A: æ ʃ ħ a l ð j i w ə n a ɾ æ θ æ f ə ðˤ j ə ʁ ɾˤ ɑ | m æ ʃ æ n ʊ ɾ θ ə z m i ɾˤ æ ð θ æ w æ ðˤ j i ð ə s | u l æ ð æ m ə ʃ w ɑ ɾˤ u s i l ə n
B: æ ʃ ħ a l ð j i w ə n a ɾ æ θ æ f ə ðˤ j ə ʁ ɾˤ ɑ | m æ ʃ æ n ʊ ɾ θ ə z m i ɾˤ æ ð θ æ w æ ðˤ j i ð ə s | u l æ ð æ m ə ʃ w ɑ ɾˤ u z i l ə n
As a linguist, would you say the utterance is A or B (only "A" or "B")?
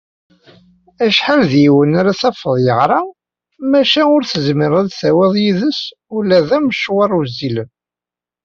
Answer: B